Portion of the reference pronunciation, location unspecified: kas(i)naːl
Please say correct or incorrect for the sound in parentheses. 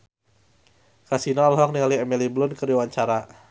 correct